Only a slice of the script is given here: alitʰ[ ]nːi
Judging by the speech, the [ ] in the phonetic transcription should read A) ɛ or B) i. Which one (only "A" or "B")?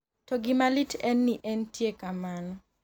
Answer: A